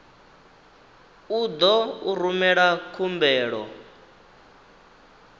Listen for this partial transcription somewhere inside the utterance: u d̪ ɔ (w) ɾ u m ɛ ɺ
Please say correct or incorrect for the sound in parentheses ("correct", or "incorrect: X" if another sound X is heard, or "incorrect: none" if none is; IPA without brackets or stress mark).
incorrect: u